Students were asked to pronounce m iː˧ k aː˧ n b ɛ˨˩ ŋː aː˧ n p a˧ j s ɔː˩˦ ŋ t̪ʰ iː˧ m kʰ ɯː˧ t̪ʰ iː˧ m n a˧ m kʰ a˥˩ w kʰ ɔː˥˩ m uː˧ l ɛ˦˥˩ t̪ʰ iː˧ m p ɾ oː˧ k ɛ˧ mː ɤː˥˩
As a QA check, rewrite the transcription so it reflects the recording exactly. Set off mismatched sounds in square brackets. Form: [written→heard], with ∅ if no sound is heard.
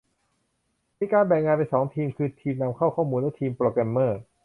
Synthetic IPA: m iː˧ k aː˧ n b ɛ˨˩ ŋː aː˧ n p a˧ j s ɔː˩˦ ŋ t̪ʰ iː˧ m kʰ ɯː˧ t̪ʰ iː˧ m n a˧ m kʰ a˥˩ w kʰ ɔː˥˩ m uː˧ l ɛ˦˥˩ t̪ʰ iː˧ m p ɾ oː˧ k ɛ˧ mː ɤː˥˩